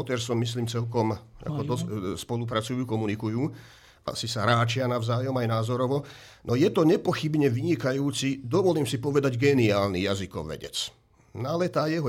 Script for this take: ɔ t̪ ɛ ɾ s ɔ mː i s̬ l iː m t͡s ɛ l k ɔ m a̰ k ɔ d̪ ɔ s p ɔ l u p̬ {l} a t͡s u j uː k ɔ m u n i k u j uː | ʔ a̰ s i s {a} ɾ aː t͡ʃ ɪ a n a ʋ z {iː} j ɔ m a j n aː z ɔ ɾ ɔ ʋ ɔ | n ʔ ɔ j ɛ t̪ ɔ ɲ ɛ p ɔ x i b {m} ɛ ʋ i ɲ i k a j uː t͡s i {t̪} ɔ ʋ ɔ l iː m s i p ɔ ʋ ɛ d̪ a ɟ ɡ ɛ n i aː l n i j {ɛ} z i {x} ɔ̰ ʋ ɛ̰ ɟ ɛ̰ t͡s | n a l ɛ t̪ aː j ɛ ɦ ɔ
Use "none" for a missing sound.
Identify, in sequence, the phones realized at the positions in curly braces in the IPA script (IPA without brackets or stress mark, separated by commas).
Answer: ɾ, a, aː, ɲ, d̪, a, k